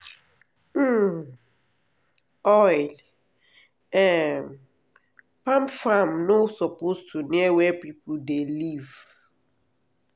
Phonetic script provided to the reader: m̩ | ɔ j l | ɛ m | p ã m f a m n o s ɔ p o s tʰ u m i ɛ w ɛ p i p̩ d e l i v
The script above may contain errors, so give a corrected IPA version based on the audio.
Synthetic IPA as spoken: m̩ | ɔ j l | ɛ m | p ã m f a m n o s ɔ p o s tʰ u n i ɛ w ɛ p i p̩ d e l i v